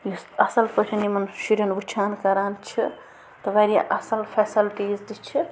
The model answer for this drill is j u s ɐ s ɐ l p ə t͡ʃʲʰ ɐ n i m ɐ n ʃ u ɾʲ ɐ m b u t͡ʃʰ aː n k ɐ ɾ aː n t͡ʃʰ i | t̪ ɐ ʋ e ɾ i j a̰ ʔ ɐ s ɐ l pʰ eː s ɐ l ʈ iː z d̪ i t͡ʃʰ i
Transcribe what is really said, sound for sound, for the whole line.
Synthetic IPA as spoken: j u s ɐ s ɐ l p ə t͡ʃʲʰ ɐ n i m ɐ n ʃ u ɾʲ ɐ n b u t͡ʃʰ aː n k ɐ ɾ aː n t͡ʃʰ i | t̪ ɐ ʋ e ɾ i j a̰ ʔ ɐ s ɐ l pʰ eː s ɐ l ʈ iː z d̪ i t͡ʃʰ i